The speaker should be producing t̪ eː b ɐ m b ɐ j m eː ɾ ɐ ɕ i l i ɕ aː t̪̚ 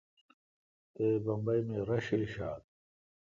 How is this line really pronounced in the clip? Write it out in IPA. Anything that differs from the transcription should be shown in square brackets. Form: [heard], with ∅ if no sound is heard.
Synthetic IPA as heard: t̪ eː b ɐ m b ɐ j m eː ɾ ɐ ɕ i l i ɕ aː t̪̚